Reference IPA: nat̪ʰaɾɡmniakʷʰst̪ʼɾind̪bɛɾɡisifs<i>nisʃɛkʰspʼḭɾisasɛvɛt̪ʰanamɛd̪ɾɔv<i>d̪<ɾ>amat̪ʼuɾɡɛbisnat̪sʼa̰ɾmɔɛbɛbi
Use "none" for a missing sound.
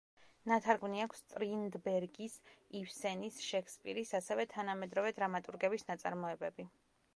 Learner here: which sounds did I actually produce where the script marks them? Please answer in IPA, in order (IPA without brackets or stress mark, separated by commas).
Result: ɛ, ɛ, ɾ